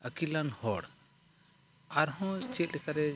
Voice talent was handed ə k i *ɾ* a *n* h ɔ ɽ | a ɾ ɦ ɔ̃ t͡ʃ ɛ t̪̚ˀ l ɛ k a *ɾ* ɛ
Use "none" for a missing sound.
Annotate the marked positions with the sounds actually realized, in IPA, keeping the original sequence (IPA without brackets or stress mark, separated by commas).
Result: l, n, ɾ